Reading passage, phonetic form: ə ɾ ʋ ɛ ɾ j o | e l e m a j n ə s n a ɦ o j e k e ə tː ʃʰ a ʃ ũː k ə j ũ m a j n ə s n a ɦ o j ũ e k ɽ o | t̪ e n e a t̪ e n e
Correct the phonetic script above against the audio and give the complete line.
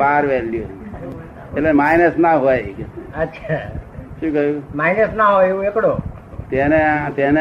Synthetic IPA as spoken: a ɾ ʋ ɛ l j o | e l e m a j n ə s n a ɦ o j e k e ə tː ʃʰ a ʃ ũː k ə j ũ m a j n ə s n a ɦ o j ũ e k ɽ o | t̪ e n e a t̪ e n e